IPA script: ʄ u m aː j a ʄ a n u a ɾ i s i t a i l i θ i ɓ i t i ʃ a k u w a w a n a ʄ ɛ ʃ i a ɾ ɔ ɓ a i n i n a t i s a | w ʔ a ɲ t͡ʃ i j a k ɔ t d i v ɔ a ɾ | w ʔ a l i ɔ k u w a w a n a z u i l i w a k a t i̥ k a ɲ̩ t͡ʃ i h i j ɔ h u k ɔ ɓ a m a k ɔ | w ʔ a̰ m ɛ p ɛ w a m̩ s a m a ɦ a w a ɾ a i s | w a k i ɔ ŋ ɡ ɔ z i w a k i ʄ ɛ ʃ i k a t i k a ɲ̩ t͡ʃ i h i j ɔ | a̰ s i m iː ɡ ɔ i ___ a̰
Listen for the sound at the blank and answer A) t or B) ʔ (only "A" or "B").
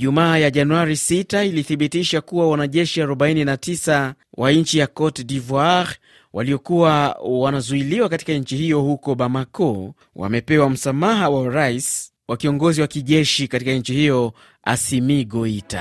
A